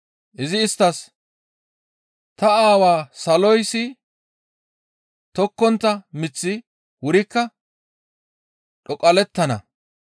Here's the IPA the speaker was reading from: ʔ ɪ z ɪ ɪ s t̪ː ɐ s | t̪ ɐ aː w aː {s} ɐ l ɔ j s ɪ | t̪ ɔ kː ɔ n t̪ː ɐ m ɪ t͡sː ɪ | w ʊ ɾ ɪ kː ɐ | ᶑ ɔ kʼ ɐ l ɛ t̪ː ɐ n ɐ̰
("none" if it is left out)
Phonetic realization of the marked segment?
s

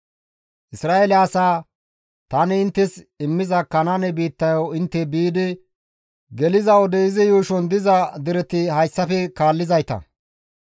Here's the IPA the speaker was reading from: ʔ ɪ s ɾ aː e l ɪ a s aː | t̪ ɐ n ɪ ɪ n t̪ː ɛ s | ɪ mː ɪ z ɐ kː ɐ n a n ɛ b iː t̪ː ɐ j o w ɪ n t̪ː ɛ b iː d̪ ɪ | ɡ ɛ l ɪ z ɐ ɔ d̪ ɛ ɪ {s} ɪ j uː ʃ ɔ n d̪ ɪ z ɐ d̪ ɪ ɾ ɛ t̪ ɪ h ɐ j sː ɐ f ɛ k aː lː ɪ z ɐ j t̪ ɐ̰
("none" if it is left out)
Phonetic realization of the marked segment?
z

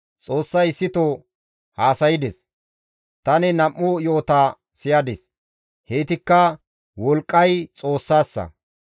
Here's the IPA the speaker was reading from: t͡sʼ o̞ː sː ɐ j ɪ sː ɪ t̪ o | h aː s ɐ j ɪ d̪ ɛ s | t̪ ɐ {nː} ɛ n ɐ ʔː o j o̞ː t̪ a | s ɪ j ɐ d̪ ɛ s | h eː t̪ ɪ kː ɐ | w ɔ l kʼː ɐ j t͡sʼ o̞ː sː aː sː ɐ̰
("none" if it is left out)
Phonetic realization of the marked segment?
n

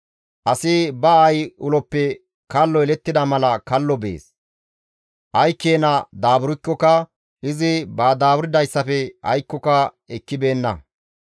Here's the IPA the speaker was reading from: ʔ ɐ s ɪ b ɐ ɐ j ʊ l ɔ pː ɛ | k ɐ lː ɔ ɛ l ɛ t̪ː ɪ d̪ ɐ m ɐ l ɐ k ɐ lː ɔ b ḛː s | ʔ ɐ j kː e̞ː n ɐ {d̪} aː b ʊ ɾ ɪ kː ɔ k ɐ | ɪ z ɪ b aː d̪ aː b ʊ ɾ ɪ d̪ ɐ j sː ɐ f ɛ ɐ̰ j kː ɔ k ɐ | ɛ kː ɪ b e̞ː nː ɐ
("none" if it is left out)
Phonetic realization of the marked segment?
d̪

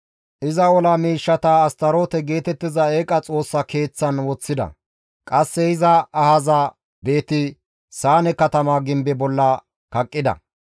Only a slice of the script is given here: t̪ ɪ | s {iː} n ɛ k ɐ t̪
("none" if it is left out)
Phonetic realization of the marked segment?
aː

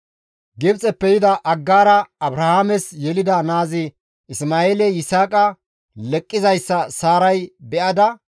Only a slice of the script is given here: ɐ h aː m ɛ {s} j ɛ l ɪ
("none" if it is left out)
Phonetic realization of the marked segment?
s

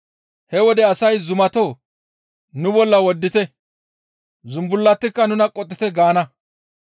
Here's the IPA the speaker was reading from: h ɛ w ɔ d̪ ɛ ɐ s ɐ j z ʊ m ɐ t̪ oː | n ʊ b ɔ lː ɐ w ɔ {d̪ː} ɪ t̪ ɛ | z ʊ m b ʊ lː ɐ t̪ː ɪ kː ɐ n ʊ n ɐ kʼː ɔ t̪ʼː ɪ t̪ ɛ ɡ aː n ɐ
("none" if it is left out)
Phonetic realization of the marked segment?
d̪ː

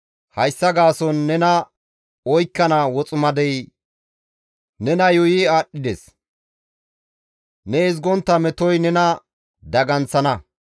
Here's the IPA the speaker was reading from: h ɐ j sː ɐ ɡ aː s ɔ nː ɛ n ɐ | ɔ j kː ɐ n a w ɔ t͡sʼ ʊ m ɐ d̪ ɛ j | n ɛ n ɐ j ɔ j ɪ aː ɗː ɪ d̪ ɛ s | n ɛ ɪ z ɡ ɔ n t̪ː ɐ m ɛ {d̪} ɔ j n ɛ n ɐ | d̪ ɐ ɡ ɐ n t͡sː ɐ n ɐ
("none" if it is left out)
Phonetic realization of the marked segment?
t̪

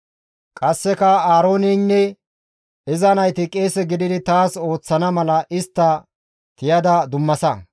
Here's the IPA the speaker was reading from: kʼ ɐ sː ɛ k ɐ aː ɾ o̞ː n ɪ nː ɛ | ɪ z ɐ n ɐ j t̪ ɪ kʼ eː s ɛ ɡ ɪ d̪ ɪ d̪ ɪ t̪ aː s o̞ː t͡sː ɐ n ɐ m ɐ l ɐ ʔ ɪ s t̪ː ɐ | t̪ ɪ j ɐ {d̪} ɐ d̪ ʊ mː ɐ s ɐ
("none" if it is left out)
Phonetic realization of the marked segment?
d̪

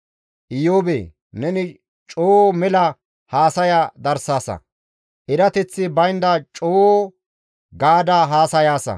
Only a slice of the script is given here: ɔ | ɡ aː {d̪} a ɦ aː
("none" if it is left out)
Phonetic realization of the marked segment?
d̪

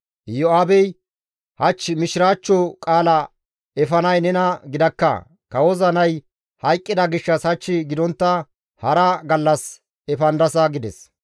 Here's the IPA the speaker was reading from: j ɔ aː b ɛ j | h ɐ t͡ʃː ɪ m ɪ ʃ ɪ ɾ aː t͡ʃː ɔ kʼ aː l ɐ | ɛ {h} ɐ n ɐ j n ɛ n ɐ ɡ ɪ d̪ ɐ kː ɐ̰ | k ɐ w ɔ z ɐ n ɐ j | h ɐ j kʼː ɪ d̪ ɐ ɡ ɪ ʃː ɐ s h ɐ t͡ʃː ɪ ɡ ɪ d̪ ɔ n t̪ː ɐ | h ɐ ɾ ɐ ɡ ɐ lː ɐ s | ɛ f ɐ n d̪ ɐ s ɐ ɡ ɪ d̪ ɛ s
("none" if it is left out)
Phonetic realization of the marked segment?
f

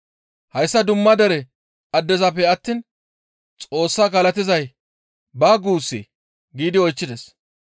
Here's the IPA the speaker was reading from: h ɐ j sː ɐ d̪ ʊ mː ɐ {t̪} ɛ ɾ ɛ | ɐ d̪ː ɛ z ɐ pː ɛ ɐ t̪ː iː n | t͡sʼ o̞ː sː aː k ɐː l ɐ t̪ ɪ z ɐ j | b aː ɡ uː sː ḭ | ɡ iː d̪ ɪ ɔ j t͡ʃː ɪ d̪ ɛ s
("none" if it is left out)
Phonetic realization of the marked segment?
d̪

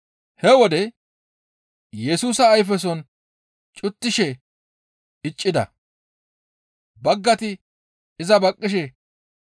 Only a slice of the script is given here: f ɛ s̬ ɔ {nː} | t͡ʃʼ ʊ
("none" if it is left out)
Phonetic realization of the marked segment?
n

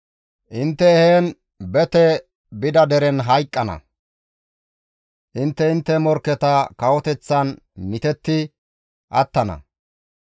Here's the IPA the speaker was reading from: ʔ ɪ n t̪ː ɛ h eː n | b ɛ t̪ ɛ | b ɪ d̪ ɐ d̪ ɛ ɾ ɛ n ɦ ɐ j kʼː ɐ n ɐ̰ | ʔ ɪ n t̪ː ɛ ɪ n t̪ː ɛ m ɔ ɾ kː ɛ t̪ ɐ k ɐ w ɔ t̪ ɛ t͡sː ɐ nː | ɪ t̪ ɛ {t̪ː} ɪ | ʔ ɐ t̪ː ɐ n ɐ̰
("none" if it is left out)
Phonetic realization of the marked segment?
t̪ː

